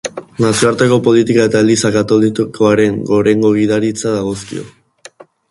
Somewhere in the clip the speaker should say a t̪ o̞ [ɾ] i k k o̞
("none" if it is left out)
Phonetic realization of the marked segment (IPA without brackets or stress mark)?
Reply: l